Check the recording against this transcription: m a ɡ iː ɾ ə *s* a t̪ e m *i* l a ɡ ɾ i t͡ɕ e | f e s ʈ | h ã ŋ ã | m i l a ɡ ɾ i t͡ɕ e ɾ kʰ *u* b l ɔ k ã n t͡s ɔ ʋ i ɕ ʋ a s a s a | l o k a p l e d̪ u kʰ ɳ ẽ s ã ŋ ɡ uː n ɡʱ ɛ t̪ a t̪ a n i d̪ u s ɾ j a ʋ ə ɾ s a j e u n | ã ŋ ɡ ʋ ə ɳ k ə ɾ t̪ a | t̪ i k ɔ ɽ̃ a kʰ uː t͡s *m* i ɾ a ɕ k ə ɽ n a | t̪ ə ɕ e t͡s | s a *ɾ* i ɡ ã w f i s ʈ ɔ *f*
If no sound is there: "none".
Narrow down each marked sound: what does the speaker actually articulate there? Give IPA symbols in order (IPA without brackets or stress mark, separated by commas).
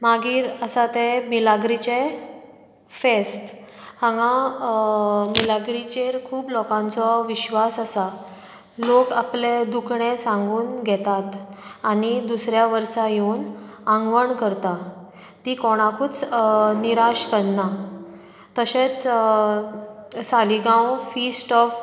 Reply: s, i, uː, n, l, f